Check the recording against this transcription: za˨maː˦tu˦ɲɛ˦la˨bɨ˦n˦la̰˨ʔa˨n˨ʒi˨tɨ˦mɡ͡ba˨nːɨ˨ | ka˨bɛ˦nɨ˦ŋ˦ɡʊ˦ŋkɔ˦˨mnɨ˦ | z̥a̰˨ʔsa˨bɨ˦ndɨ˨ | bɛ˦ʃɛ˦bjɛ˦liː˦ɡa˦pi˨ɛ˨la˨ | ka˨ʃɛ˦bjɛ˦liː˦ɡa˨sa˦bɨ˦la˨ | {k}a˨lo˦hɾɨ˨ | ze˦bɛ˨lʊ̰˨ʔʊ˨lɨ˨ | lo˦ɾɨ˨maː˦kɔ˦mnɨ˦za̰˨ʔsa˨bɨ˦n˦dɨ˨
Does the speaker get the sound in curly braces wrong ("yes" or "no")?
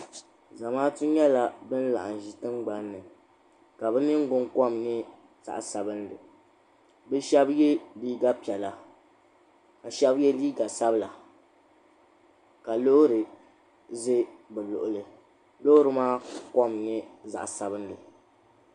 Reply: no